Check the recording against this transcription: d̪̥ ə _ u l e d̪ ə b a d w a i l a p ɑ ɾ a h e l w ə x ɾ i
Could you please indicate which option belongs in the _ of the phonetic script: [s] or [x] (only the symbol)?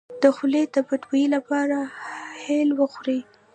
x